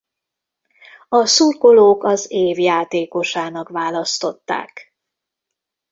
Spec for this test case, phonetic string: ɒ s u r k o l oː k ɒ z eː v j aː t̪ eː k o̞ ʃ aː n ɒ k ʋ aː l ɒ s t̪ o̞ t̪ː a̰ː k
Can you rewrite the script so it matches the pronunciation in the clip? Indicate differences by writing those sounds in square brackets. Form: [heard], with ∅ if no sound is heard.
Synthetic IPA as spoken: ɒ s u r k o l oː k ɒ z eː v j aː t̪ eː k o̞ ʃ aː n ɒ k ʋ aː l ɒ s t̪ o̞ t̪ː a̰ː k